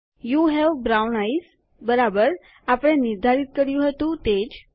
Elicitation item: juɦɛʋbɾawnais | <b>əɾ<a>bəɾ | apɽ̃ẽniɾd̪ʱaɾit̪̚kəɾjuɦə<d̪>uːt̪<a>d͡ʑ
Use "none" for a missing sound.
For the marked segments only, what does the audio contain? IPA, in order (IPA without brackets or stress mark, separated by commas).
b, a, t̪, e